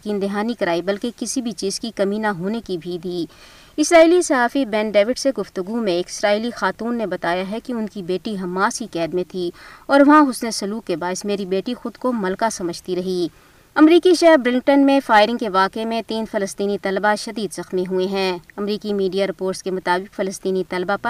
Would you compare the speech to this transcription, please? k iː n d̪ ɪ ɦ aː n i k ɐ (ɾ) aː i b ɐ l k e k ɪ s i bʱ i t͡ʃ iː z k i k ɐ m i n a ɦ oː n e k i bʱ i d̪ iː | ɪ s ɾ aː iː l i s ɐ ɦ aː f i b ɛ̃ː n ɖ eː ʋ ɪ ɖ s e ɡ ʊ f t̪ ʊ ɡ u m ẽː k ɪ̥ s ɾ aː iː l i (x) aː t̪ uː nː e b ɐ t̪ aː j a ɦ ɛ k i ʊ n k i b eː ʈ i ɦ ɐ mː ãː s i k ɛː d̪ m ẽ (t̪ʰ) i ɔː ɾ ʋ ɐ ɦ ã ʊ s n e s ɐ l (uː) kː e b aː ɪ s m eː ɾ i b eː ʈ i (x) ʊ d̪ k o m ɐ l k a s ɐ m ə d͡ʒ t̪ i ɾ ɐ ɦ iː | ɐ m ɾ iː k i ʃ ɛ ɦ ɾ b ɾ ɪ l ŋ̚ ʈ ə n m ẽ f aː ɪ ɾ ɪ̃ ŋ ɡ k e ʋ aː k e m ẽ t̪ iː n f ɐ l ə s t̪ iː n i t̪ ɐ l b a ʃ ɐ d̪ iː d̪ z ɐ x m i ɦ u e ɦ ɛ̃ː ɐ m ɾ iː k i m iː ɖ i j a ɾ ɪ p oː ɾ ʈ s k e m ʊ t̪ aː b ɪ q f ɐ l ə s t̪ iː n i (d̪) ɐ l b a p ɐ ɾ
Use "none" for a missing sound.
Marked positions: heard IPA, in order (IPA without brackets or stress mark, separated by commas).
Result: ɾ, x, t̪ʰ, uː, x, t̪